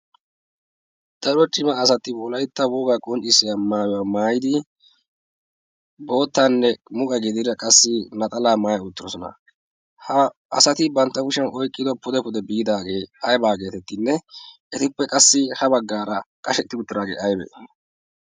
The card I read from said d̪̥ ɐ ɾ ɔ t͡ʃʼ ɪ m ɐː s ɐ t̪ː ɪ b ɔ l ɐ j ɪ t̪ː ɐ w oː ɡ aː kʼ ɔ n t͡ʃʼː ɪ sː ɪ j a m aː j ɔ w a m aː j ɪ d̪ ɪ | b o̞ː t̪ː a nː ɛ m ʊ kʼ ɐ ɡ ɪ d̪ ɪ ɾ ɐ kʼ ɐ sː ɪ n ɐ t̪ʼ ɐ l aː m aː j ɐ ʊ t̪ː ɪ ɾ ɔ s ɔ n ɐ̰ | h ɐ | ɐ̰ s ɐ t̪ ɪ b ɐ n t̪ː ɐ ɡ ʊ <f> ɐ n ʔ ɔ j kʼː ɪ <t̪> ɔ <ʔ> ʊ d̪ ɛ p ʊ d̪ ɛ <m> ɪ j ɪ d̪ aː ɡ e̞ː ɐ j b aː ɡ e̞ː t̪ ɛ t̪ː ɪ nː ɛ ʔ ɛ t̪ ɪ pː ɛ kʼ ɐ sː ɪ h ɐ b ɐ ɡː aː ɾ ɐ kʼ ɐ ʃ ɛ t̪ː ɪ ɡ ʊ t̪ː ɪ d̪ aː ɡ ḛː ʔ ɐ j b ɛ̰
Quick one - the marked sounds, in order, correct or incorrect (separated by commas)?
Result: incorrect, incorrect, incorrect, incorrect